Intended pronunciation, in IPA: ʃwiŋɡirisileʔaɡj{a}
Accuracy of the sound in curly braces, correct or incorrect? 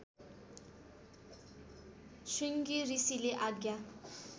correct